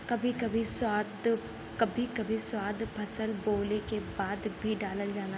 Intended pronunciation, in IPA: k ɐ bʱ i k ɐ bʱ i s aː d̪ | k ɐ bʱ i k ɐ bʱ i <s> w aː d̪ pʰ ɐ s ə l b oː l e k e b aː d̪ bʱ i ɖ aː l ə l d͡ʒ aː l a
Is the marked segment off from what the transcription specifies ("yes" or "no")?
no